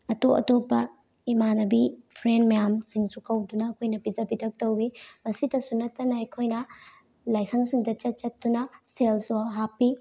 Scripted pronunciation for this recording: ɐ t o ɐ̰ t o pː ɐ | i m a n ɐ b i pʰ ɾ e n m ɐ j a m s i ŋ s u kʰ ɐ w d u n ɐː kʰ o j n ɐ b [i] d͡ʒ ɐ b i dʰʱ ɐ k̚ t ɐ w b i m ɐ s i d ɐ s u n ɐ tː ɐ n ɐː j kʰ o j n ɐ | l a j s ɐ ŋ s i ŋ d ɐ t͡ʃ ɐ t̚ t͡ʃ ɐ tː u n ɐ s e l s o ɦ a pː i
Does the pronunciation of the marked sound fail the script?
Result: no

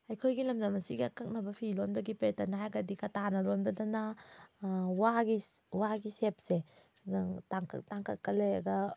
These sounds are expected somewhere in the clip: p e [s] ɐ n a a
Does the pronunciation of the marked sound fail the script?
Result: yes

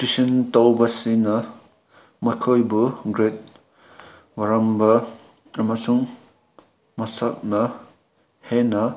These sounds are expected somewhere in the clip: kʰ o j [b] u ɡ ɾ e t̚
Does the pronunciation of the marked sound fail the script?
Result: no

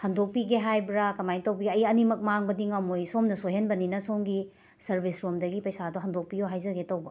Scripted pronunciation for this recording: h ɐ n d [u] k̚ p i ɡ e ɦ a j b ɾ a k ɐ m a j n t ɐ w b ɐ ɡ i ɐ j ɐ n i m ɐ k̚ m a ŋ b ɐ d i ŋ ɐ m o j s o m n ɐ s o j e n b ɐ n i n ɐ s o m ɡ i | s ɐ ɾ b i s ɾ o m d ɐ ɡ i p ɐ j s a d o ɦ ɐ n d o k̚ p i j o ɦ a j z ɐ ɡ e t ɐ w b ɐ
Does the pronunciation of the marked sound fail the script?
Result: yes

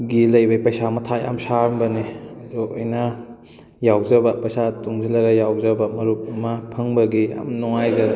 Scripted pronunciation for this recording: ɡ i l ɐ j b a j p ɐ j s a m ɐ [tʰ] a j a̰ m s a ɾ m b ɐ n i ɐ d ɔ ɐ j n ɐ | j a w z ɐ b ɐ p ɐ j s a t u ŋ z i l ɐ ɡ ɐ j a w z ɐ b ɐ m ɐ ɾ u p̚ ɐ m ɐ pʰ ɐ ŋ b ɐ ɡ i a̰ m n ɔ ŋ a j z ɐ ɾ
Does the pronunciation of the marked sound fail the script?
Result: no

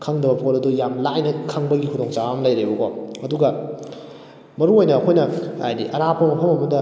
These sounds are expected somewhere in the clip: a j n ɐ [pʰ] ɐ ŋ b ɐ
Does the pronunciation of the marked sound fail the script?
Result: yes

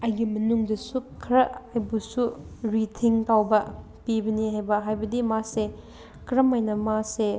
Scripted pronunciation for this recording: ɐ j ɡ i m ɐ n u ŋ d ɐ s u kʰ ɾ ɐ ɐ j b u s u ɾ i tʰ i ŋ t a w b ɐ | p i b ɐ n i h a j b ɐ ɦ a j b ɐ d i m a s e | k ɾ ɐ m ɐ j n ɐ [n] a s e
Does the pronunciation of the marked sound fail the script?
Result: yes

